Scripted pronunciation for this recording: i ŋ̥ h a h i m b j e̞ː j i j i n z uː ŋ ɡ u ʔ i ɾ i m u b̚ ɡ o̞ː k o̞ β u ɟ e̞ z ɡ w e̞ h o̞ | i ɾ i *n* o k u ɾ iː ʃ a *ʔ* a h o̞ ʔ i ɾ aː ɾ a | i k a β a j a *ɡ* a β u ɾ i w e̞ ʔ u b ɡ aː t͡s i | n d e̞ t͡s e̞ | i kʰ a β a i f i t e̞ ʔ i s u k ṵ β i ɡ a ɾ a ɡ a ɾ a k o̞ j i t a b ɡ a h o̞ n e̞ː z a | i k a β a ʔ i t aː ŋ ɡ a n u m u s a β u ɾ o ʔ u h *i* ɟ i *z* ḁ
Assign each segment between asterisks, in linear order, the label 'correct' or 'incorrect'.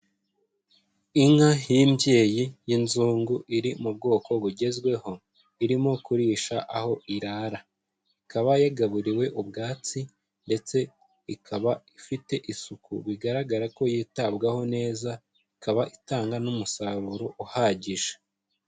incorrect, correct, correct, incorrect, incorrect

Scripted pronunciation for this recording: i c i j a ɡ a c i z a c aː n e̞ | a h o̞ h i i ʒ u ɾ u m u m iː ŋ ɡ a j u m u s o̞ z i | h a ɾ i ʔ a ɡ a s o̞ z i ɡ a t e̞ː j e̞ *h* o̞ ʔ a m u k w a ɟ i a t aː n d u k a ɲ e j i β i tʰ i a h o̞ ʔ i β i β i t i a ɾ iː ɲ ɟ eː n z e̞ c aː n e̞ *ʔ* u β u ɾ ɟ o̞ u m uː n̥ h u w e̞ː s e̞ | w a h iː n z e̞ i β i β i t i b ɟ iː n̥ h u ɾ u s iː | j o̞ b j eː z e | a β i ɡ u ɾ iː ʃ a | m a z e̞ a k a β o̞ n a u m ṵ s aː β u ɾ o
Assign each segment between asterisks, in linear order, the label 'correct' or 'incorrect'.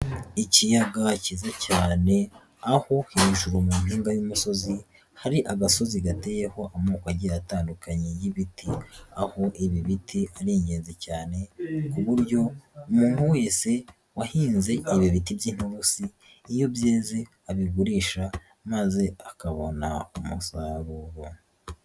correct, incorrect

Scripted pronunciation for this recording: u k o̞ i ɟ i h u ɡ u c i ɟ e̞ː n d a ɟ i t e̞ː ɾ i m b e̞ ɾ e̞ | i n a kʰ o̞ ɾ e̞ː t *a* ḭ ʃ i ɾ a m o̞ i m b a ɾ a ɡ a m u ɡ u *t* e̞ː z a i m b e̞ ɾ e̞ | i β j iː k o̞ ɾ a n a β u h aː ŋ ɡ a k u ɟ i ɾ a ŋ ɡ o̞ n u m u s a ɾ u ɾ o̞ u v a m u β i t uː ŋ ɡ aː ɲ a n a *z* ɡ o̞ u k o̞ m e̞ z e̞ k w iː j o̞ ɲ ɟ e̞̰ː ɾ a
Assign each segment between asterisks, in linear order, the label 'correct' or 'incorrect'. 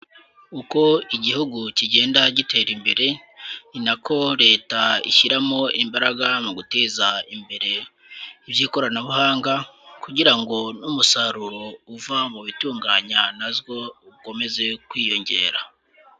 correct, correct, correct

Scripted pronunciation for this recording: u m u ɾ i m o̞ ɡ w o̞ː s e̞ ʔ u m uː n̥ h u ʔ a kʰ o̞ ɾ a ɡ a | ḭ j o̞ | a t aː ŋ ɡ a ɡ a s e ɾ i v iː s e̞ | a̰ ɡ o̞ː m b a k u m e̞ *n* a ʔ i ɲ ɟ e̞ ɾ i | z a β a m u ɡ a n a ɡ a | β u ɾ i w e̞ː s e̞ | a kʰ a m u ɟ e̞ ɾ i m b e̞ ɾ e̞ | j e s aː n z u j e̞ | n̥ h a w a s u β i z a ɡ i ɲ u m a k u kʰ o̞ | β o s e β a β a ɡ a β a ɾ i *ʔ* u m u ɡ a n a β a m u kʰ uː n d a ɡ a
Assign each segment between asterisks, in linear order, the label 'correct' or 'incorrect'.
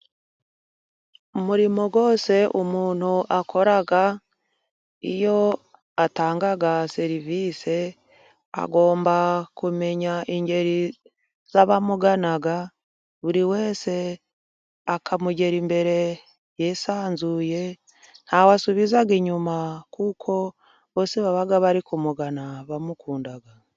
incorrect, incorrect

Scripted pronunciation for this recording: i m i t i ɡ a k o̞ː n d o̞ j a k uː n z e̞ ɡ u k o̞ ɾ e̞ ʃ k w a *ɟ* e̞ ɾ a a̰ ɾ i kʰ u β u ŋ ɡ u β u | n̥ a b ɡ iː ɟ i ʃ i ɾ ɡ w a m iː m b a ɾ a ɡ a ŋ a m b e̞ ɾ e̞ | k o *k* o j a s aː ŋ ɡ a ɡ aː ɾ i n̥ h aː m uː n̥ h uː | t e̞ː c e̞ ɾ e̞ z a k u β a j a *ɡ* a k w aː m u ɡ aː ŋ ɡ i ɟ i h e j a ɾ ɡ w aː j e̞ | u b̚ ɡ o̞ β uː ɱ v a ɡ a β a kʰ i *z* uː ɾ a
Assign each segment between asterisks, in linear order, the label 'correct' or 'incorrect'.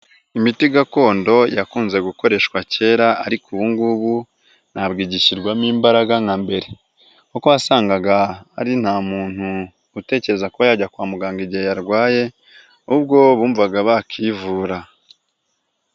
incorrect, correct, incorrect, incorrect

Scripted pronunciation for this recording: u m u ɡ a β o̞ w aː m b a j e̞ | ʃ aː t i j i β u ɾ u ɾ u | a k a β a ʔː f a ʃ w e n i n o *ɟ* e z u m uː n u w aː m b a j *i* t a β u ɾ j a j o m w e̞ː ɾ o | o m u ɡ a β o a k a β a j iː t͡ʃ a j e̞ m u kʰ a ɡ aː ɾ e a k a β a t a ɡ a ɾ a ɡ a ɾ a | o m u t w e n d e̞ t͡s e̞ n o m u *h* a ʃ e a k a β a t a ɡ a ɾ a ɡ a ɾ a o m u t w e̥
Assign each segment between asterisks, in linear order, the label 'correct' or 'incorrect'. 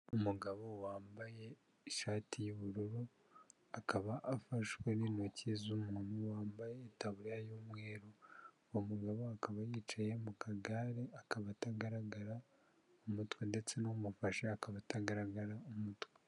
incorrect, incorrect, incorrect

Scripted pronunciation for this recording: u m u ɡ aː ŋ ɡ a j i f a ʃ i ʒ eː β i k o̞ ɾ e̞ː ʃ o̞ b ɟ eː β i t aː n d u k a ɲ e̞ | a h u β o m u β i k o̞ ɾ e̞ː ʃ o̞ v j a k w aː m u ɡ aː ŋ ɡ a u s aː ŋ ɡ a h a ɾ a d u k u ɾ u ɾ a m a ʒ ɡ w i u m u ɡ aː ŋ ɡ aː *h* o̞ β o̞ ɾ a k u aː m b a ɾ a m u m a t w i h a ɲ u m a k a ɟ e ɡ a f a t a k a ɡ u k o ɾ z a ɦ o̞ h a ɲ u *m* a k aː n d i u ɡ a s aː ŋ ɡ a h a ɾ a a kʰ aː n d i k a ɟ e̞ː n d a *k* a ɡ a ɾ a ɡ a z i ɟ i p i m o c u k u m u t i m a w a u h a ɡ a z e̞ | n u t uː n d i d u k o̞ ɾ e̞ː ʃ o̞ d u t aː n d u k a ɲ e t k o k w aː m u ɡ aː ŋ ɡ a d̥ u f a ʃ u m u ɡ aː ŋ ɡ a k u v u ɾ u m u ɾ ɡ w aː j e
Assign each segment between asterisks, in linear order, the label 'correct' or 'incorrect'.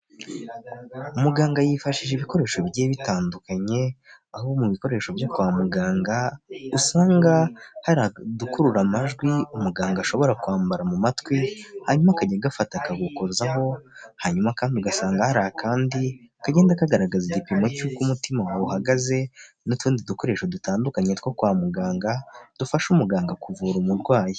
incorrect, correct, correct

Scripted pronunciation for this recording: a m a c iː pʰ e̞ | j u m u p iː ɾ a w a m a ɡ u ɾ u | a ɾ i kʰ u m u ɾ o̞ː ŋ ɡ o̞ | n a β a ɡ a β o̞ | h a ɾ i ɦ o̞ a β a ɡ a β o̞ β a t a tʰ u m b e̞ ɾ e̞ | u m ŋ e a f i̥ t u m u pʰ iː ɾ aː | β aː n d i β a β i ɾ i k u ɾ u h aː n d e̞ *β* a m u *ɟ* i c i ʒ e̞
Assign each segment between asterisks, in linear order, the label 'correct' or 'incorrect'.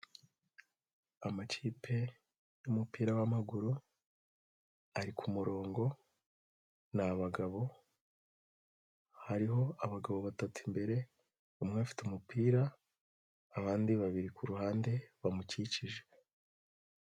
correct, incorrect

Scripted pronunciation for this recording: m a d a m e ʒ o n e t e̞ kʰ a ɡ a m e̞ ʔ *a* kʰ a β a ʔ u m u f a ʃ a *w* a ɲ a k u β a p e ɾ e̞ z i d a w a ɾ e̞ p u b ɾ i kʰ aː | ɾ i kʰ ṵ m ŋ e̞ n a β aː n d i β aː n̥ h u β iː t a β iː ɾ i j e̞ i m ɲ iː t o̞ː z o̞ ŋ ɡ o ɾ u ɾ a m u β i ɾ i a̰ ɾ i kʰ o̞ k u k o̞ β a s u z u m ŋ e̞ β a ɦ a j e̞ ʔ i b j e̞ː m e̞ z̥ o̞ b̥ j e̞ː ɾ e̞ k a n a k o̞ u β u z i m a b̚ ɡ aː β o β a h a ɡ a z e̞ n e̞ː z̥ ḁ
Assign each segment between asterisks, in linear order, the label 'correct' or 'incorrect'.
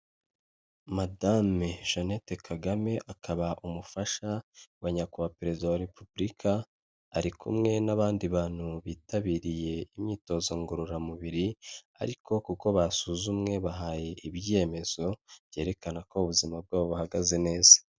correct, correct

